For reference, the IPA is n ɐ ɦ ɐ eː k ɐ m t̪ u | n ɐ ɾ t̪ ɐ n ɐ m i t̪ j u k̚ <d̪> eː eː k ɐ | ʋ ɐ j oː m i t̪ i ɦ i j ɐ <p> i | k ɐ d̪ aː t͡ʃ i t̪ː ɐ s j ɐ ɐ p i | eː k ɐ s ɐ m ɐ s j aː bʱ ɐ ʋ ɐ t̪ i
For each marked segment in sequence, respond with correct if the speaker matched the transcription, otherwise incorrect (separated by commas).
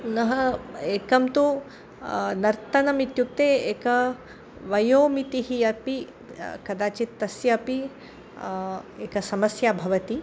incorrect, correct